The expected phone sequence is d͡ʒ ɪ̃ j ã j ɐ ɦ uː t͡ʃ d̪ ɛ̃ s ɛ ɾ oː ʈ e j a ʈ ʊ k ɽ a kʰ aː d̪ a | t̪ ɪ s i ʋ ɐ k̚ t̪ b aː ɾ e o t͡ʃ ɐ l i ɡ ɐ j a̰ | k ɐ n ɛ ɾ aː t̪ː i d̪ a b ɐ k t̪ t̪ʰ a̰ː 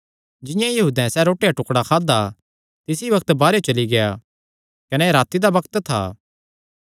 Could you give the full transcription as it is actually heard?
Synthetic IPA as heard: d͡ʒ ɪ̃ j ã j ɐ ɦ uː d̪ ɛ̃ s ɛ ɾ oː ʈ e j a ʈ ʊ k ɽ a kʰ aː d̪ a | t̪ ɪ s i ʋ ɐ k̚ t̪ b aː ɾ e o t͡ʃ ɐ l i ɡ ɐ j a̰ | k ɐ n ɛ ɾ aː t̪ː i d̪ a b ɐ k t̪ t̪ʰ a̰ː